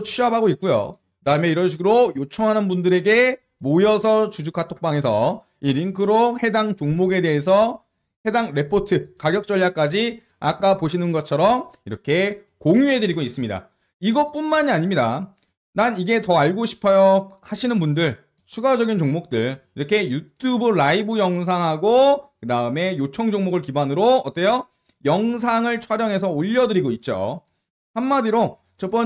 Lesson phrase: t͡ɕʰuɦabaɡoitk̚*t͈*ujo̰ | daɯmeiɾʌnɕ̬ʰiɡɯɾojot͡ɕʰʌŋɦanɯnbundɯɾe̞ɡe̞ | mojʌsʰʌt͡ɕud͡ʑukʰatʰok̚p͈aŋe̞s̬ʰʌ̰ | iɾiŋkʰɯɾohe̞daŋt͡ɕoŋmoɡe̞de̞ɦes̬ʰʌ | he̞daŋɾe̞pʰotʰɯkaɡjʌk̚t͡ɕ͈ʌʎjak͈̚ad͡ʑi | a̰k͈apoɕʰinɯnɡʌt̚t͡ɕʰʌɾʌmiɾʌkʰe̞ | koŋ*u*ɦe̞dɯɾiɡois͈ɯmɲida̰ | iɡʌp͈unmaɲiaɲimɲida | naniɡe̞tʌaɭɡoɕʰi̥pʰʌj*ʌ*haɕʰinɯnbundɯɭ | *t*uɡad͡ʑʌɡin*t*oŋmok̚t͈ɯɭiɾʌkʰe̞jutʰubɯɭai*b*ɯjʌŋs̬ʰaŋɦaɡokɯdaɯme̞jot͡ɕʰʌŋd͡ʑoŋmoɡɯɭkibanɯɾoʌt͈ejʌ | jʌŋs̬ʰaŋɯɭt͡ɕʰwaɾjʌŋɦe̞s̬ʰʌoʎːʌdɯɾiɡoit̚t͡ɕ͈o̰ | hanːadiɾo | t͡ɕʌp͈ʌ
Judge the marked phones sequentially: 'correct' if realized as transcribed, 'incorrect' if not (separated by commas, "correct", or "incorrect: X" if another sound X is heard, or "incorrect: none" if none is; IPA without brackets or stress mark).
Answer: incorrect: k͈, correct, correct, incorrect: t͡ɕʰ, incorrect: t͡ɕ, correct